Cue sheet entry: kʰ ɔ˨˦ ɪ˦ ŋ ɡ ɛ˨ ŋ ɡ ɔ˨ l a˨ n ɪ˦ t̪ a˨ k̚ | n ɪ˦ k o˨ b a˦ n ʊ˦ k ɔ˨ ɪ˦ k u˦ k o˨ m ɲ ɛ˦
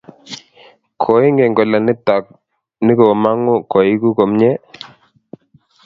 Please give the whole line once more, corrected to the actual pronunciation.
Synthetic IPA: kʰ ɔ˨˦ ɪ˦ ŋ ɡ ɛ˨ ŋ ɡ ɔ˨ l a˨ n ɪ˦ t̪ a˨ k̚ | n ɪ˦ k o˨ m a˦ ŋ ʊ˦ k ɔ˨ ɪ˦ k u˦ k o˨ m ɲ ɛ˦